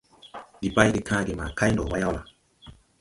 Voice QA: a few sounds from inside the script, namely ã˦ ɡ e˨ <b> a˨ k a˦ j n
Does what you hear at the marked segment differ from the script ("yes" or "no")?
yes